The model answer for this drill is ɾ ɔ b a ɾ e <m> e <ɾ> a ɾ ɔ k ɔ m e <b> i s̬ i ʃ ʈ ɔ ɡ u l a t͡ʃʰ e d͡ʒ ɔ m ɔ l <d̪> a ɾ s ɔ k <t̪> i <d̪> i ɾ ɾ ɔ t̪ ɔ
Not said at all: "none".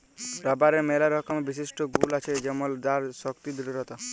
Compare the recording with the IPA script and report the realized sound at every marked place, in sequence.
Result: m, l, b, d̪, t̪, d̪

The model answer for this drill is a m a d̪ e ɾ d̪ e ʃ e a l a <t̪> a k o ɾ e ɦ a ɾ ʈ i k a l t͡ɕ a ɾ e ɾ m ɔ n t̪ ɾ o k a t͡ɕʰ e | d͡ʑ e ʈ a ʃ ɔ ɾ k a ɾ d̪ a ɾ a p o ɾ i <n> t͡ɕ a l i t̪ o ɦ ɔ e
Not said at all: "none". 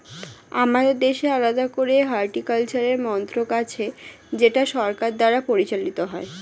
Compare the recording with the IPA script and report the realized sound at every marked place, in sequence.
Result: d̪, none

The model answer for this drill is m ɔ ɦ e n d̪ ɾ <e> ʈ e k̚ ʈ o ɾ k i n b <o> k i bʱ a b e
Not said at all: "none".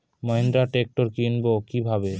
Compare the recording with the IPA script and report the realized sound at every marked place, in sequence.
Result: a, o

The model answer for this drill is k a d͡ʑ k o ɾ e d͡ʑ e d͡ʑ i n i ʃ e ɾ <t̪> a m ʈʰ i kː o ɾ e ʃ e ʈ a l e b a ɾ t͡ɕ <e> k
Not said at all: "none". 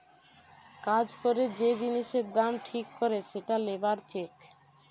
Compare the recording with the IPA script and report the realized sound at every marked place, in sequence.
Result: d̪, e

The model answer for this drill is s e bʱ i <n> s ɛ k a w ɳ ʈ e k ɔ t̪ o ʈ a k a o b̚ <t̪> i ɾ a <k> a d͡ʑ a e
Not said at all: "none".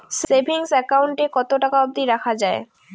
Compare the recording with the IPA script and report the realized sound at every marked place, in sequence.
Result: ŋ, d̪, kʰ

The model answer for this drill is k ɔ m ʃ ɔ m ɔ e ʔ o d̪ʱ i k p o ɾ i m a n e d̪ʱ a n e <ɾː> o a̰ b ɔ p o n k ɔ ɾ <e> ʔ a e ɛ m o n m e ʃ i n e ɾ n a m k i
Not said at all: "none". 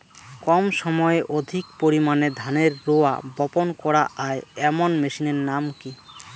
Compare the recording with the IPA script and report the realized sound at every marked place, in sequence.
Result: ɾː, a

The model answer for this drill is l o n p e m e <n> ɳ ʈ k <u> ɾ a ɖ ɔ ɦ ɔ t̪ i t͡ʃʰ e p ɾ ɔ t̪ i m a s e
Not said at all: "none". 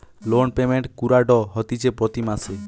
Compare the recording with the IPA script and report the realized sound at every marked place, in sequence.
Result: none, u

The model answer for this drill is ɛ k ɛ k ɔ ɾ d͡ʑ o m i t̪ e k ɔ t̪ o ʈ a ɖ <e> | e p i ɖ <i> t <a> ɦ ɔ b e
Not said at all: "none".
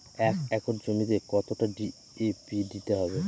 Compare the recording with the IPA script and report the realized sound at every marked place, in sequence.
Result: i, i, a

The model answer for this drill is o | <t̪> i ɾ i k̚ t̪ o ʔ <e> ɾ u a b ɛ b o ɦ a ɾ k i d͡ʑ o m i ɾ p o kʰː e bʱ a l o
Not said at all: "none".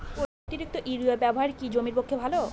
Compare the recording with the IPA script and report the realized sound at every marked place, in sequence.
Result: t̪, i

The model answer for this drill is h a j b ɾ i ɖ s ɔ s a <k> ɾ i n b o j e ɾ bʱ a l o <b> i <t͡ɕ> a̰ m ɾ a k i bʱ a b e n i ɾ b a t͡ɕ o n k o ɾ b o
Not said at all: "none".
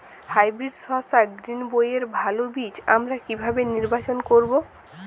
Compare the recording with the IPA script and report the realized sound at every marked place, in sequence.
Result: ɡ, b, t͡ɕ

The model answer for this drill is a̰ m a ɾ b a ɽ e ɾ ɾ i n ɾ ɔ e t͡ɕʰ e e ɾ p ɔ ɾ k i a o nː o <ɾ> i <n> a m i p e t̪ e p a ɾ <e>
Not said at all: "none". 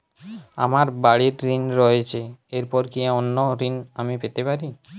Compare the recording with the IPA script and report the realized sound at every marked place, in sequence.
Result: ɾ, n, i

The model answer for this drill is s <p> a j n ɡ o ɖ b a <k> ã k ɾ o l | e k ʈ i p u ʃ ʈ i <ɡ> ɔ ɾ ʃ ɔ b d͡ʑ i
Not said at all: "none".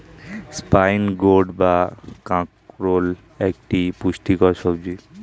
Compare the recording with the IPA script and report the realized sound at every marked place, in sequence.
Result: p, k, k

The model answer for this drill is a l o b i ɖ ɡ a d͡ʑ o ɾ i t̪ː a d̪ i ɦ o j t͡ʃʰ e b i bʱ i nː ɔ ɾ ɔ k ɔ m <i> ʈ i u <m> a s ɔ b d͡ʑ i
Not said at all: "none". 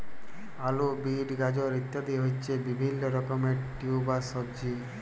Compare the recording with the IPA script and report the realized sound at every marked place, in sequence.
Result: e, b

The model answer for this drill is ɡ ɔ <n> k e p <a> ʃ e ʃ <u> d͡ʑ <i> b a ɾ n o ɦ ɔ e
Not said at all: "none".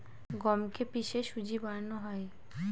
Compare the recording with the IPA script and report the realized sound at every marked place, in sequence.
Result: m, i, u, i

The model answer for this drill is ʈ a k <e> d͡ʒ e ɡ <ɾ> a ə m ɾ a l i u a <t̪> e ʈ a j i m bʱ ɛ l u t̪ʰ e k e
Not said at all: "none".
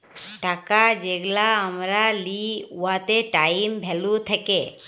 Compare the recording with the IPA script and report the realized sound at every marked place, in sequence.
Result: a, l, t̪

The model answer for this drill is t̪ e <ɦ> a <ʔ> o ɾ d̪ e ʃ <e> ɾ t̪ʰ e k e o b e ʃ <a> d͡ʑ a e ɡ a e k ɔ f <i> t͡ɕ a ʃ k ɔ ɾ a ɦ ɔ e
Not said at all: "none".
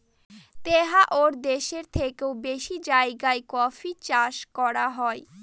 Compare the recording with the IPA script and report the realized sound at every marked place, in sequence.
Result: ɦ, ʔ, e, i, i

